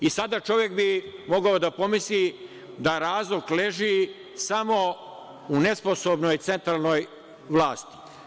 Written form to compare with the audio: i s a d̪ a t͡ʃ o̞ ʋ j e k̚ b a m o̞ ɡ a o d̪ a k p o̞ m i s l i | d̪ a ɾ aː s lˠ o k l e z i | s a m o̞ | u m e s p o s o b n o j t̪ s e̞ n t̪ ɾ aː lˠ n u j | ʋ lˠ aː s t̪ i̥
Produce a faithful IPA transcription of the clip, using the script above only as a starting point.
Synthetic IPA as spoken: i s a d̪ a t͡ʃ o̞ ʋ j e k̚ b i m o̞ ɡ a o d̪ a p o̞ m i s l i | d̪ a ɾ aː z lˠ o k l e ʒ i | s a m o̞ | u n e s p o s o b n o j t̪ s e̞ n t̪ ɾ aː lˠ n o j | ʋ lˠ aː s t̪ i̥